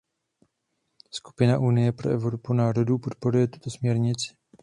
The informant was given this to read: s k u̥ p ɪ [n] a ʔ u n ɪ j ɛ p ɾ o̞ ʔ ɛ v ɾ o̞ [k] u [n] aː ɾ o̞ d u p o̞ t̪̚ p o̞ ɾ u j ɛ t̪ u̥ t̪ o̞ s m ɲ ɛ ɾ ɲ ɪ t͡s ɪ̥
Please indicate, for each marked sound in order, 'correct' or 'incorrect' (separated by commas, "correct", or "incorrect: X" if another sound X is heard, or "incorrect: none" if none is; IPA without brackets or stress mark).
correct, incorrect: p, correct